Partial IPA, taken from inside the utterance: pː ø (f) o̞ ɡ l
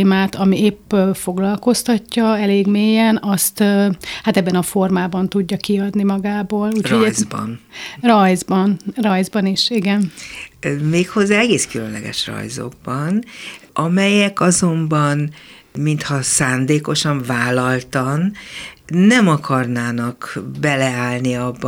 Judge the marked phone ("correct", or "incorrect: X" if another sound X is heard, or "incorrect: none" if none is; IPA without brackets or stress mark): correct